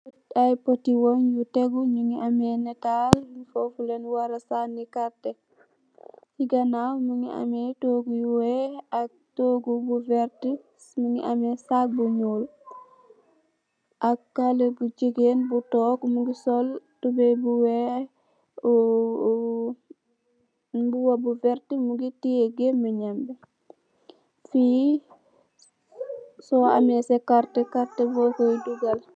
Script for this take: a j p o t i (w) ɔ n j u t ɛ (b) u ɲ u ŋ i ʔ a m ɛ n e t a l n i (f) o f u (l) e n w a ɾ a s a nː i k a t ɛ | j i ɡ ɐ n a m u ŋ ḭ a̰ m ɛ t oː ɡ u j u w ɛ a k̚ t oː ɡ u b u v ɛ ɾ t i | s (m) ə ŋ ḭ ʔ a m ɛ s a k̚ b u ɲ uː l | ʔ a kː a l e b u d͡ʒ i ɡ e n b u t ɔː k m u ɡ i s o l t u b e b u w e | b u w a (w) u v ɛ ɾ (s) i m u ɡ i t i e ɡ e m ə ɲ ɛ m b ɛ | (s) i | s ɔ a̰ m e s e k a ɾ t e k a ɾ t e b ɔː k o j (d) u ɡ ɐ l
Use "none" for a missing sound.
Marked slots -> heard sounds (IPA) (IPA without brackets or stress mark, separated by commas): w, ɡ, f, l, m, b, t, f, d